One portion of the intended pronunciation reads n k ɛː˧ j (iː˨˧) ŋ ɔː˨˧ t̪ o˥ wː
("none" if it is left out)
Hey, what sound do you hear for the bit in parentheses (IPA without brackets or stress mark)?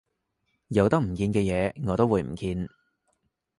ɛː˨˧